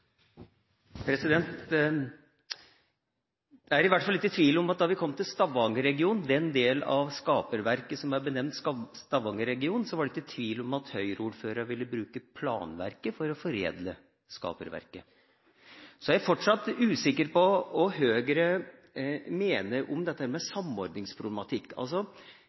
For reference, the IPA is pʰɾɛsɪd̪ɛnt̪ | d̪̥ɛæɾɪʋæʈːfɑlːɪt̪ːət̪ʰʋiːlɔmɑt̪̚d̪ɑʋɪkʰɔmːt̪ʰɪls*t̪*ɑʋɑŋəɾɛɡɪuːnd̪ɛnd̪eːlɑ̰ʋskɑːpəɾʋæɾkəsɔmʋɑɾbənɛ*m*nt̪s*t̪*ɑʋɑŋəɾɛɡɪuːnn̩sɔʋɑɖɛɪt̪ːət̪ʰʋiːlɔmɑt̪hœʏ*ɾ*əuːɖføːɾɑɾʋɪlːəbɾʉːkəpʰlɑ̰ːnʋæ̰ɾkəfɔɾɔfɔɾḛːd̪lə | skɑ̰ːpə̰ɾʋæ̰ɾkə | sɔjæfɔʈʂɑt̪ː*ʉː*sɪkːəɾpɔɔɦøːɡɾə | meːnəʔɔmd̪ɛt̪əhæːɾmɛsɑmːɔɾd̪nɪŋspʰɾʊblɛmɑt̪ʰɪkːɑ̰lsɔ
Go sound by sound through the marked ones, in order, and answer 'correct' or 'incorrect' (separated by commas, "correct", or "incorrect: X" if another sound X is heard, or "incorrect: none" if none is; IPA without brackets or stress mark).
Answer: correct, correct, correct, correct, correct